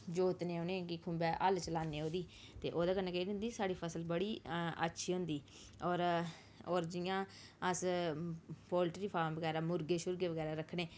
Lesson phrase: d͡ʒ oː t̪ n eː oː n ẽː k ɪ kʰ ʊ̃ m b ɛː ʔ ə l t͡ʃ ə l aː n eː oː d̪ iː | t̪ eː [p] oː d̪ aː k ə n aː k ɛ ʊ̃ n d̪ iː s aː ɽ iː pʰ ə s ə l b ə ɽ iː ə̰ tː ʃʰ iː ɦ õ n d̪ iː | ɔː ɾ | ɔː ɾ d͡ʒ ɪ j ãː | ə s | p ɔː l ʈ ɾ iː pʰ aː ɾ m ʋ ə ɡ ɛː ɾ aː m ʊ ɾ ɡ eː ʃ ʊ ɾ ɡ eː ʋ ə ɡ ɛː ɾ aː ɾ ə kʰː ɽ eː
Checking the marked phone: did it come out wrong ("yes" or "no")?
yes